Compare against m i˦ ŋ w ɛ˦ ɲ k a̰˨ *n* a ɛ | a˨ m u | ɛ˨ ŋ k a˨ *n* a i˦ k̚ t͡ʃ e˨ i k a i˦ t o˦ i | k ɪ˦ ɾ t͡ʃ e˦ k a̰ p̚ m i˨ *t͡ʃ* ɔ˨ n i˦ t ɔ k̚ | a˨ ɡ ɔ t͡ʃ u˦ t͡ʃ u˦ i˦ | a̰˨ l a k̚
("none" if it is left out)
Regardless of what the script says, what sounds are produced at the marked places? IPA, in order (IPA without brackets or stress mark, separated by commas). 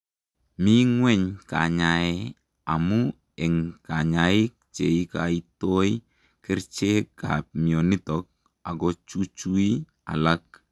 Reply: ɲ, ɲ, none